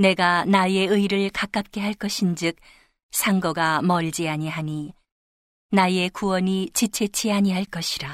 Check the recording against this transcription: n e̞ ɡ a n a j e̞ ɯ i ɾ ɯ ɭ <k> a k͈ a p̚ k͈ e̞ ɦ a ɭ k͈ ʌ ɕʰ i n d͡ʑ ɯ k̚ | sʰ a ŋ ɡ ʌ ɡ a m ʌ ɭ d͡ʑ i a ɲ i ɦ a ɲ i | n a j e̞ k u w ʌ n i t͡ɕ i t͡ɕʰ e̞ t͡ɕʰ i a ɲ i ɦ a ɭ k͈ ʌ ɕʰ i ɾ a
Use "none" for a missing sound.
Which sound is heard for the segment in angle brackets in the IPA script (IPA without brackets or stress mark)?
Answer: k